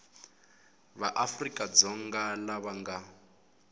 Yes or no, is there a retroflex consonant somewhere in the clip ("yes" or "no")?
no